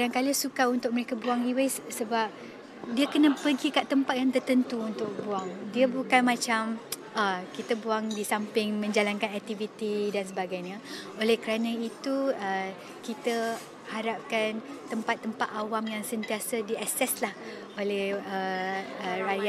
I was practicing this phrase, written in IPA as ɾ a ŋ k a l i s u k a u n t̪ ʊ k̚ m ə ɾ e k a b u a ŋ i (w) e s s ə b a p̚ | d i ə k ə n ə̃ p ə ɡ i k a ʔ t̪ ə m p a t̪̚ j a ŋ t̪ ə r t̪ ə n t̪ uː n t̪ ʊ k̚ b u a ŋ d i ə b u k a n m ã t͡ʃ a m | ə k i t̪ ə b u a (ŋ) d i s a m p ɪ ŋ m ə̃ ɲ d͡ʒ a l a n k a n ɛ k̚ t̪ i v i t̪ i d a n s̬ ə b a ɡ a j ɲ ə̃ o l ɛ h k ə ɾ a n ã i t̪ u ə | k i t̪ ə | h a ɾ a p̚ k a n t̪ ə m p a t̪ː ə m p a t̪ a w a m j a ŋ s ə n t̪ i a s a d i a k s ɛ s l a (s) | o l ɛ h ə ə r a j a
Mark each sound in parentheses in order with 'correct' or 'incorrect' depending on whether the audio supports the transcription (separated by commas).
correct, correct, incorrect